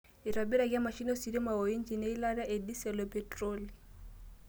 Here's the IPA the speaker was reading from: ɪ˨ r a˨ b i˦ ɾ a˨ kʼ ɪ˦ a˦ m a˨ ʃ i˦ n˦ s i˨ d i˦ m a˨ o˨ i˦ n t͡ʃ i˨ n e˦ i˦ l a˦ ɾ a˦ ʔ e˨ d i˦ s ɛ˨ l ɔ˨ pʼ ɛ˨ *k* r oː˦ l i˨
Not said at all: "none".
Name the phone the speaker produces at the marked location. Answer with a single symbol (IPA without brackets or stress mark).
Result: t